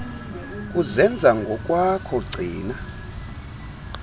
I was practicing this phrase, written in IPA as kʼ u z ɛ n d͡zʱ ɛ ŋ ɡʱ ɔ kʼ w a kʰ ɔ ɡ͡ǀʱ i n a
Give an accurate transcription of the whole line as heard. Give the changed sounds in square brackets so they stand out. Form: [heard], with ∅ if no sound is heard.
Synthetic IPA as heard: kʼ u z ɛ n d͡zʱ [a] ŋ ɡʱ ɔ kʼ w a kʰ ɔ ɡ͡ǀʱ [iː] n a